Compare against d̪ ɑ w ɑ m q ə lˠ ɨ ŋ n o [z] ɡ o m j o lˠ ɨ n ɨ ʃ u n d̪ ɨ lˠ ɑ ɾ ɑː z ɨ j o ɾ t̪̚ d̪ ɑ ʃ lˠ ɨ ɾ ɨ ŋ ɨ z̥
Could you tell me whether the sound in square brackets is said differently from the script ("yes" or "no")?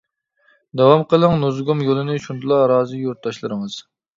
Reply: no